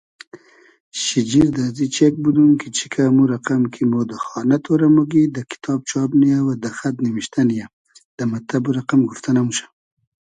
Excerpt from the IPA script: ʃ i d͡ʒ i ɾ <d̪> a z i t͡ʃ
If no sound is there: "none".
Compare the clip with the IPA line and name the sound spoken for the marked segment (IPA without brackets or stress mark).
d̪